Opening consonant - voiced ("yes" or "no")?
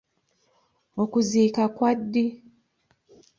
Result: no